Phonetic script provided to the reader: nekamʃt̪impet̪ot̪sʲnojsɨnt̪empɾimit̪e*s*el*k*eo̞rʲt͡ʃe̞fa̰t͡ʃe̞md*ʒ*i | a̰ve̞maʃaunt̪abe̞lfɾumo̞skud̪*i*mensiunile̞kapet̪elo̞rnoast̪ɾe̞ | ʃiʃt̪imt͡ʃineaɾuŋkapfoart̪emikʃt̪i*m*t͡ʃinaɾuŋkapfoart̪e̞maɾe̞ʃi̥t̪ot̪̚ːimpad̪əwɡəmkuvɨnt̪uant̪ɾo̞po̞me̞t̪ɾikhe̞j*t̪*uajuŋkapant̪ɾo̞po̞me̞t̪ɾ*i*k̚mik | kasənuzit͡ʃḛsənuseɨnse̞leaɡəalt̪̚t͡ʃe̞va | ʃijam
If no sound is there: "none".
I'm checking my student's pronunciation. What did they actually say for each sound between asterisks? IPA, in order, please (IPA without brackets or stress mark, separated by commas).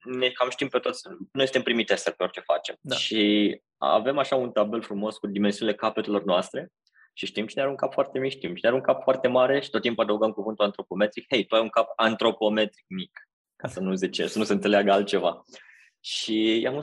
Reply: s, p, ʃ, i, m, t̪, i